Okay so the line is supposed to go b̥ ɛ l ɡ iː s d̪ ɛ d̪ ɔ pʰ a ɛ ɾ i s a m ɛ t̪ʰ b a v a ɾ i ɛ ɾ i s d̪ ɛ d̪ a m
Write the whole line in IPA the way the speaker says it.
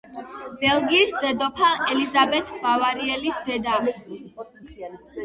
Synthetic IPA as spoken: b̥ ɛ l ɡ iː s d̪ ɛ d̪ ɔ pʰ a ɛ l i z a b ɛ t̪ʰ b a v a ɾ i ɛ l i s d̪ ɛ d̪ a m